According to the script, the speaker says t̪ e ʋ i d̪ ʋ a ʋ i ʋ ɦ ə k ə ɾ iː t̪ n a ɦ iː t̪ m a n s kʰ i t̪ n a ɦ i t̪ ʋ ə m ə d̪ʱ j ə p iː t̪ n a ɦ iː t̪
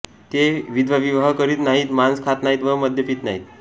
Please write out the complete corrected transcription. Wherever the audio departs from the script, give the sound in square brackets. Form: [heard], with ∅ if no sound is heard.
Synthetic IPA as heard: t̪ e ʋ i d̪ ʋ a ʋ i ʋ ɦ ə k ə ɾ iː t̪ n a ɦ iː t̪ m a n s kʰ [a] t̪ n a ɦ i t̪ ʋ ə m ə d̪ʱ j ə p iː t̪ n a ɦ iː t̪